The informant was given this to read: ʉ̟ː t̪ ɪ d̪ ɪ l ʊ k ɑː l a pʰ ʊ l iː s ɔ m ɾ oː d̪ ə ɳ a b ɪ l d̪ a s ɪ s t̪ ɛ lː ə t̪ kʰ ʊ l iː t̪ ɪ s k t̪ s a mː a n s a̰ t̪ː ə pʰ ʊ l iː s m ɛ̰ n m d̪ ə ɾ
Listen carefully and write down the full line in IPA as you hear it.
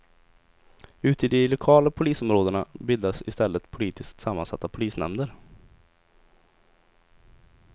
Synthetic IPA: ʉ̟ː t̪ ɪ d̪ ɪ l ʊ kʰ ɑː l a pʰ ʊ l iː s ɔ m ɾ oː d̪ ə ɳ a b ɪ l d̪ a s ɪ s t̪ ɛ lː ə t̪ pʰ ʊ l iː t̪ ɪ s k t̪ s a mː a n s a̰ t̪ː a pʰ ʊ l iː s n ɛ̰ m d̪ ə ɾ